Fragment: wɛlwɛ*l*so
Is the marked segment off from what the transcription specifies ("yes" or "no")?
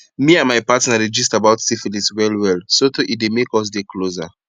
no